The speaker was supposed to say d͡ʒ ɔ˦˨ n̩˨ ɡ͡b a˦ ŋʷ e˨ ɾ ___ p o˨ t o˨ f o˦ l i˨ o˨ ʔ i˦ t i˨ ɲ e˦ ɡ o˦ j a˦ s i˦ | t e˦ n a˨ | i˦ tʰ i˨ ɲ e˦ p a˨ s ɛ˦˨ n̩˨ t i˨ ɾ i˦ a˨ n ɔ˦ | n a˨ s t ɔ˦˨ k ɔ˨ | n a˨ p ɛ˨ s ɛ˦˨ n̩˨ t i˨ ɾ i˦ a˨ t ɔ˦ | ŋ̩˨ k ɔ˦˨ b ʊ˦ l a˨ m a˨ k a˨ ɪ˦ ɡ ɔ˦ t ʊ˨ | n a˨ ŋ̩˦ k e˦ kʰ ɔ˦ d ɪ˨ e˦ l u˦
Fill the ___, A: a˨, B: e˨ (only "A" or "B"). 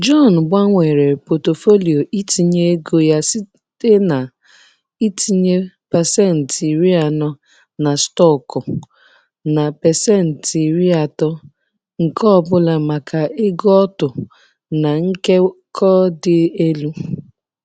B